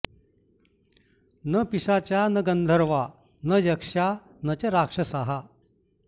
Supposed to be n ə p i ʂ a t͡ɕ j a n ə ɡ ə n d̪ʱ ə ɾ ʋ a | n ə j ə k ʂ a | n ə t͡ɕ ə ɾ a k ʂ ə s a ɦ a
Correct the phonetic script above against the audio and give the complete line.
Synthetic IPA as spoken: n ə p i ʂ a t͡ɕ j a n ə ɡ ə n d̪ʱ ə ɾ ʋ a | n ə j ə k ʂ a | n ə t͡ɕ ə ɾ a k ʂ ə s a ɦ a